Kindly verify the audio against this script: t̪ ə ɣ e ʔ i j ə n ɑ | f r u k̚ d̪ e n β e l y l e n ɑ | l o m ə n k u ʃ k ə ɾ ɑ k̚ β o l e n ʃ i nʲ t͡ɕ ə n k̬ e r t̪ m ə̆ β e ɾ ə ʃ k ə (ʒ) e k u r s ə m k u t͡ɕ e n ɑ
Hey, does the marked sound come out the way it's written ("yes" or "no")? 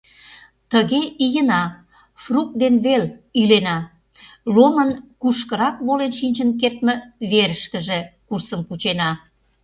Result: yes